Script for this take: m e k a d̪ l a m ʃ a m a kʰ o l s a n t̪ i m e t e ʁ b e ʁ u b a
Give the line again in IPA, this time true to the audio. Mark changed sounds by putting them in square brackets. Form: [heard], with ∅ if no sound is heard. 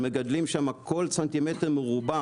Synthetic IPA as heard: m e [ɡ] a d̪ l [i] m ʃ a m a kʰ o l s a n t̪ i m e t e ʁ [m] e ʁ u b a